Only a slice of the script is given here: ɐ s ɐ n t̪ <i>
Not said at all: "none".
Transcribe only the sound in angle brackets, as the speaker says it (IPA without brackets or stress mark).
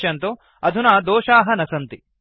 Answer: i